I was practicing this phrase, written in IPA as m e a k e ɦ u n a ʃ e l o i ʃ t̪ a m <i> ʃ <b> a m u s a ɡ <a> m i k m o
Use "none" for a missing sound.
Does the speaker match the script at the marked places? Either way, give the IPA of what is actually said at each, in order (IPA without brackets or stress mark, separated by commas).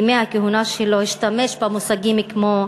e, b, i